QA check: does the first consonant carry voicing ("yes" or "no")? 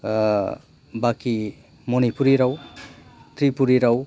yes